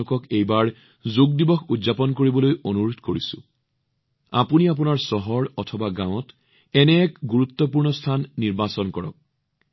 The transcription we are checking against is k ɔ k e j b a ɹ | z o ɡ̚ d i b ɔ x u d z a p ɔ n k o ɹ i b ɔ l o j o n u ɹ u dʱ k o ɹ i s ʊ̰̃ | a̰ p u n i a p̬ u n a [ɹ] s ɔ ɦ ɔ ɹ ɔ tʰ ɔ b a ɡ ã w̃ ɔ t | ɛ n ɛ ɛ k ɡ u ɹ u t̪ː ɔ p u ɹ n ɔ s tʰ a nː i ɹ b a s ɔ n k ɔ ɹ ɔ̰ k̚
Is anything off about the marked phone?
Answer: no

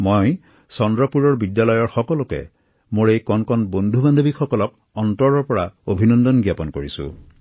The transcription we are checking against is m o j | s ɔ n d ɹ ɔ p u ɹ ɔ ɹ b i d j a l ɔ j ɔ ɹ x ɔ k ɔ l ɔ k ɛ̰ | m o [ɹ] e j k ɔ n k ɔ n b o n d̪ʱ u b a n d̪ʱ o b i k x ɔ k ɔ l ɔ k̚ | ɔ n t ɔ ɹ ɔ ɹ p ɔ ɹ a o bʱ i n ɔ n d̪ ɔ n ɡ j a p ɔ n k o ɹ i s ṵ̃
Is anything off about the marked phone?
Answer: no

